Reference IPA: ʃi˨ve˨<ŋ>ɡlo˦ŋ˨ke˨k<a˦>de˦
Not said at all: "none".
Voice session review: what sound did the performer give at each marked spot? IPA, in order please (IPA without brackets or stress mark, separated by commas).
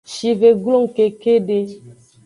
none, e˦